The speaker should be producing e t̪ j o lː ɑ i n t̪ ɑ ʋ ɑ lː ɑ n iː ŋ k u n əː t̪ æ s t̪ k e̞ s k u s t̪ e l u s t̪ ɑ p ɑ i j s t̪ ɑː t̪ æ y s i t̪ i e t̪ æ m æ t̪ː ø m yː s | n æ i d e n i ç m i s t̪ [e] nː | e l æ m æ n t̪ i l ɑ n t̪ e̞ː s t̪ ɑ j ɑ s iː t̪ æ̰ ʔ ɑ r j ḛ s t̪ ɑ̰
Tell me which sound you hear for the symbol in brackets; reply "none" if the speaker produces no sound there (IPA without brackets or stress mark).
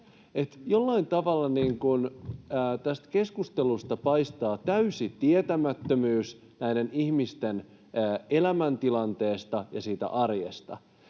e